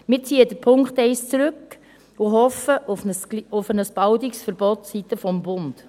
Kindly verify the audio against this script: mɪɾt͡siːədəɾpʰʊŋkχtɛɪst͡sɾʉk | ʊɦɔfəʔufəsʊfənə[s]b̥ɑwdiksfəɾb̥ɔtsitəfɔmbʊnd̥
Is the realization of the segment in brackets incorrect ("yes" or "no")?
no